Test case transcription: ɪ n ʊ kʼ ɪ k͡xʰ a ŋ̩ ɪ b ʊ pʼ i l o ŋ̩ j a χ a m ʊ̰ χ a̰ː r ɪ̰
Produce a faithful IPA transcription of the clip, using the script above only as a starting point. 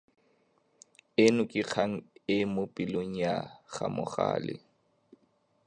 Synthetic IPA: ɪ n ʊ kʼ ɪ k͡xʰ a ŋ̩ ɪ m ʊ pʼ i l o ŋ̩ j a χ a m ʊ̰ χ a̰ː l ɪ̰